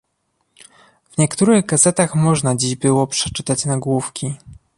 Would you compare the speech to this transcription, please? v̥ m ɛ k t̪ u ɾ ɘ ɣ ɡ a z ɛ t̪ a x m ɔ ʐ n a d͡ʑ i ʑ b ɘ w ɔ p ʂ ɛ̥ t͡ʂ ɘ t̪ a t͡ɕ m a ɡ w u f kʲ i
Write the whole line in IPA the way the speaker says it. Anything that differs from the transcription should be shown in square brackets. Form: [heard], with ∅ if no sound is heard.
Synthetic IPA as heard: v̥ [ɲ] ɛ k t̪ u ɾ ɘ ɣ ɡ a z ɛ t̪ a x m ɔ ʐ n a d͡ʑ i ʑ b ɘ w ɔ p ʂ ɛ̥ t͡ʂ ɘ t̪ a t͡ɕ [n] a ɡ w u f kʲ i